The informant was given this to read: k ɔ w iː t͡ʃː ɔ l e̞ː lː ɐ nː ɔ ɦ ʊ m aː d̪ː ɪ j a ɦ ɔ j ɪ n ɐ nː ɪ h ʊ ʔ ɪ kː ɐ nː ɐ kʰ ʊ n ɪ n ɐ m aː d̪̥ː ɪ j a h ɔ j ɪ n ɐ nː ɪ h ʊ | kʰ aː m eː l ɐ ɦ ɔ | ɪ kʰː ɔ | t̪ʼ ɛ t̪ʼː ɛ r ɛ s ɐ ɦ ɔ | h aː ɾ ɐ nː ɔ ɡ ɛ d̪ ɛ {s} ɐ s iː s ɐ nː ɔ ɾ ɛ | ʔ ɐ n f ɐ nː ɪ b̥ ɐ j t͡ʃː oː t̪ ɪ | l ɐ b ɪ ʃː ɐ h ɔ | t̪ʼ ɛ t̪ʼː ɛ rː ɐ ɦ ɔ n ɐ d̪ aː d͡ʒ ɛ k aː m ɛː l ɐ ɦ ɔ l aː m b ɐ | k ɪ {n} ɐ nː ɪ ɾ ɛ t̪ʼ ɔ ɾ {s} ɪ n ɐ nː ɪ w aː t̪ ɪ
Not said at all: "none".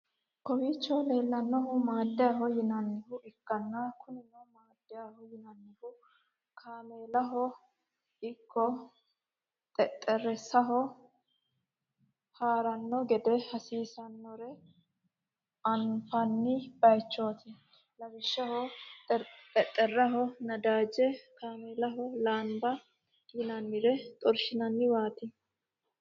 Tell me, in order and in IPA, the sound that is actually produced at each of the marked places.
h, n, ʃ

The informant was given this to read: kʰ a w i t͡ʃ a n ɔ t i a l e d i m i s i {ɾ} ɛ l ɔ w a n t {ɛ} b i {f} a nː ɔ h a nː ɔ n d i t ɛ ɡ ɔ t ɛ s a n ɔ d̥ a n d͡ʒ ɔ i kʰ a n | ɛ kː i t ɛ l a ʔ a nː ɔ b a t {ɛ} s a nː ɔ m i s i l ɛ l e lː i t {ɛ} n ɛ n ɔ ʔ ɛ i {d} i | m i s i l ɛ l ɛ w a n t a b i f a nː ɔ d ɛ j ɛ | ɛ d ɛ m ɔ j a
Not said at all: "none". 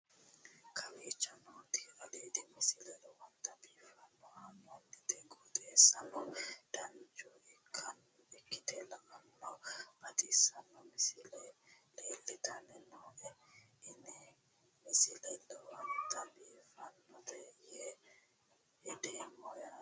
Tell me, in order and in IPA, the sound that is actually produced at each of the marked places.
l, a, f, i, a, n

